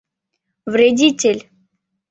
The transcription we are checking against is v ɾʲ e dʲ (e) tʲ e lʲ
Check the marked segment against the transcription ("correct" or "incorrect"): incorrect